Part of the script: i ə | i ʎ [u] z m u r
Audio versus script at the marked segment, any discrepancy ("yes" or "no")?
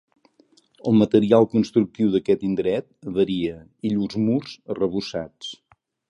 no